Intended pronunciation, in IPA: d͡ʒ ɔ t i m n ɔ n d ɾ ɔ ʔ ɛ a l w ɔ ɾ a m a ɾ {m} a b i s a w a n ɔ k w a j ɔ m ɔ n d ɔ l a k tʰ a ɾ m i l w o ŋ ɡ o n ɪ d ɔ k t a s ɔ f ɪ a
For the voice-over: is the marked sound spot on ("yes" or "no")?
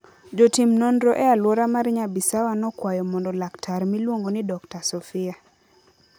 no